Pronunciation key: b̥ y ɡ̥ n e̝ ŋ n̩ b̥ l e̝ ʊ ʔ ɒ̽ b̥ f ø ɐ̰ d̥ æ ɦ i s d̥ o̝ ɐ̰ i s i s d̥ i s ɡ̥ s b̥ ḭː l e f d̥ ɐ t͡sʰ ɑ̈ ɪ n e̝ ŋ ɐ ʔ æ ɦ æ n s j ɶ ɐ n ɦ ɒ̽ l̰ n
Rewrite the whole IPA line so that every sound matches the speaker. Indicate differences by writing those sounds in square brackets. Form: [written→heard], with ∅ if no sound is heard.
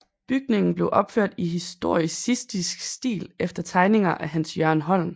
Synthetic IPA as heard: b̥ y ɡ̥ n e̝ ŋ n̩ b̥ l e̝ ʊ ʔ ɒ̽ b̥ f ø ɐ̰ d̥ [æ→i] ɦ i s d̥ o̝ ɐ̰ i s i s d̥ i s ɡ̥ s [b̥→d̥] ḭː l e f d̥ ɐ t͡sʰ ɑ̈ ɪ n e̝ ŋ ɐ ʔ æ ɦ æ n s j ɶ ɐ n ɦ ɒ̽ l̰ n